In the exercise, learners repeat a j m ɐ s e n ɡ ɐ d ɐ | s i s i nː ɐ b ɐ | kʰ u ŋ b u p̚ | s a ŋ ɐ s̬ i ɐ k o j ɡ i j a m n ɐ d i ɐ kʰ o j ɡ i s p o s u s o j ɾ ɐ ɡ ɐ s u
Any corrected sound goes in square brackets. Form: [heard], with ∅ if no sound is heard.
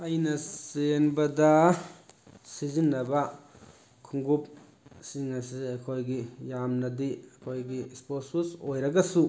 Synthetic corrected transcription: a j [n] ɐ s e n [b] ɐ d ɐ | s i [z] i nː ɐ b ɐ | kʰ u ŋ [ɡ] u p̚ | s [i] ŋ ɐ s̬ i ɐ [kʰ] o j ɡ i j a m n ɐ d i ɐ kʰ o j ɡ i s p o s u s o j ɾ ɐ ɡ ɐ s u